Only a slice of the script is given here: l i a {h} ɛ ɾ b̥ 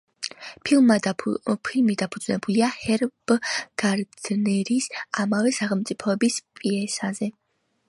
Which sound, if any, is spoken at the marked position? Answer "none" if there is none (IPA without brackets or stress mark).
h